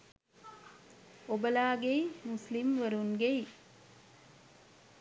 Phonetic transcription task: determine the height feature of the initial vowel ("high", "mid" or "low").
mid